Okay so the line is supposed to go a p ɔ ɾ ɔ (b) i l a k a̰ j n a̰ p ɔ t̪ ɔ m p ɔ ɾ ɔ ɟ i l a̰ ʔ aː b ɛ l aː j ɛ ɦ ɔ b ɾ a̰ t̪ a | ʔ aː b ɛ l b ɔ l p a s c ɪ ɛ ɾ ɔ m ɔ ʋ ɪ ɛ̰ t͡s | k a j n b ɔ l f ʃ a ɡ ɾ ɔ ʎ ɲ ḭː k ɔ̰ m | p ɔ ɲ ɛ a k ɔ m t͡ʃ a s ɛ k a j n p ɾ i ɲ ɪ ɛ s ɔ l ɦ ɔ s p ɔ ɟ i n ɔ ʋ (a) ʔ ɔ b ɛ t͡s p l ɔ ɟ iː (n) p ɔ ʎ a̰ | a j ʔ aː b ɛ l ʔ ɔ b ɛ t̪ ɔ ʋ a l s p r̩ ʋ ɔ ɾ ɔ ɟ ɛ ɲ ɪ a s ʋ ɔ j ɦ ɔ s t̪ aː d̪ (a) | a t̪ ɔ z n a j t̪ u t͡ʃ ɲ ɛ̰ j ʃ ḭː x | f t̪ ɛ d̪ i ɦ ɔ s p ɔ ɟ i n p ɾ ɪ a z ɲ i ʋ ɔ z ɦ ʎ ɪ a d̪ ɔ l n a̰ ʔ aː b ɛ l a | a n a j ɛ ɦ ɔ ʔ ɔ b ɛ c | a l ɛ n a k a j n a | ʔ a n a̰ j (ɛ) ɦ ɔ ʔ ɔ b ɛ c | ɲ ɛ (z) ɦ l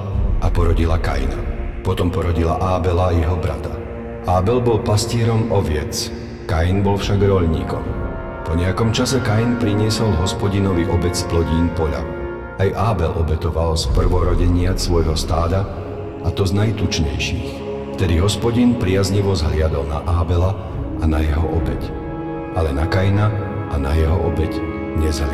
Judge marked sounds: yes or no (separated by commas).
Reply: no, no, yes, yes, yes, yes